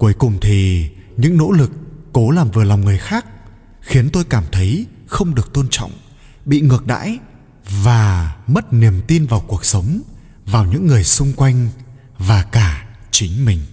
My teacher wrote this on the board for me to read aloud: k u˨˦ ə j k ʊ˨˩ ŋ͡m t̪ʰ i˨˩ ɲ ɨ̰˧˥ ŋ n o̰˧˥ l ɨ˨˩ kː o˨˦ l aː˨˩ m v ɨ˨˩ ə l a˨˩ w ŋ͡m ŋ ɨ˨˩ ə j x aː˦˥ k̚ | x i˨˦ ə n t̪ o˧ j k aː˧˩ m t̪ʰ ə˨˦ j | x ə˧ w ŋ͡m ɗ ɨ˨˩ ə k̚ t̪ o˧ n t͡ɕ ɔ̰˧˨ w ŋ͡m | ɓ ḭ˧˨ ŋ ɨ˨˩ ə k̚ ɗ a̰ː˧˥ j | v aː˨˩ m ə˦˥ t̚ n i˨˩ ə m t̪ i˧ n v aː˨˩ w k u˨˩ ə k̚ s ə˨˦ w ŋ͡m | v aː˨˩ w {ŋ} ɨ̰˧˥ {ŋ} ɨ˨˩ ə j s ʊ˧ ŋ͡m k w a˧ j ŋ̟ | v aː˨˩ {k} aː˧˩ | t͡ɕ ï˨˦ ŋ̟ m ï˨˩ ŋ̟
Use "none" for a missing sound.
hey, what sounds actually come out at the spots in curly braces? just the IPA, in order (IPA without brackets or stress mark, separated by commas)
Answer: ɲ, ŋː, k